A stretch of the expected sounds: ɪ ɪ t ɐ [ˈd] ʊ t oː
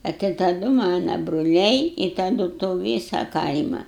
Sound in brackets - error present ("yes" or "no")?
no